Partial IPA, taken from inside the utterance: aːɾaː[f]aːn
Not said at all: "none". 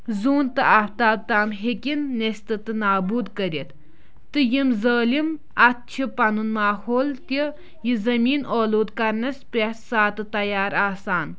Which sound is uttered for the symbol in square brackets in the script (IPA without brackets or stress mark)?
s